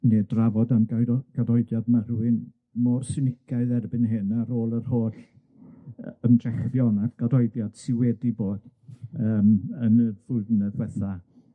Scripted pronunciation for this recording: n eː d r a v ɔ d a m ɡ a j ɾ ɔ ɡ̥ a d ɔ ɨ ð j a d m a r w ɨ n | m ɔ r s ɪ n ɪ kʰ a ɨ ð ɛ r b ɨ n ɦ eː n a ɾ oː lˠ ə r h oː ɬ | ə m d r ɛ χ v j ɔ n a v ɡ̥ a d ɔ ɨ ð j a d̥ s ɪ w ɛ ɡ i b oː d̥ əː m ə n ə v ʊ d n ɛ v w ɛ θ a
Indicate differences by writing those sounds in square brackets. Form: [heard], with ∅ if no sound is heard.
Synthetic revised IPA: n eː d r a v ɔ d a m ɡ a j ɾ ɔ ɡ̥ a d ɔ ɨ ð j a d m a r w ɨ n | m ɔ r s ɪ n ɪ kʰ a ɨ ð ɛ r b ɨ n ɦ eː n a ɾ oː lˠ ə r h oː ɬ | ə m d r ɛ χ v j ɔ n a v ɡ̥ a d ɔ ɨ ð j a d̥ s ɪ w ɛ [d] i b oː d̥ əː m ə n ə v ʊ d n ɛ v w ɛ θ a